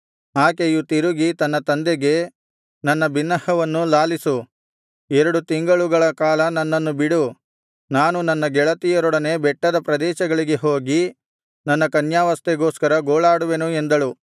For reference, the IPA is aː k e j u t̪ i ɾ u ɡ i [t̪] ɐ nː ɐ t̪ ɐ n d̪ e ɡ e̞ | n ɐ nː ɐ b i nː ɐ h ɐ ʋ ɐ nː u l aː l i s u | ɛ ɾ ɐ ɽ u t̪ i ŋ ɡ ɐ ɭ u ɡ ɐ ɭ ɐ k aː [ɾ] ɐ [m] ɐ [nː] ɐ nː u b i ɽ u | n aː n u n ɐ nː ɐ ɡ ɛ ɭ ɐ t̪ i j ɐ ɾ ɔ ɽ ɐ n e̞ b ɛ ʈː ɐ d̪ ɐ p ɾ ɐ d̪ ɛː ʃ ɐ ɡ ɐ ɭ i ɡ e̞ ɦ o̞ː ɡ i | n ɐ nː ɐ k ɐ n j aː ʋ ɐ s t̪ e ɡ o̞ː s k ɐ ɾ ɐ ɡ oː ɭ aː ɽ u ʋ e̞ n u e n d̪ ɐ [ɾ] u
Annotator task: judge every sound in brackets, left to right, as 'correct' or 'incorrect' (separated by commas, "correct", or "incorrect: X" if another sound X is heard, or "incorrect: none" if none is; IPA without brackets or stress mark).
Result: correct, incorrect: l, incorrect: n, correct, incorrect: ɭ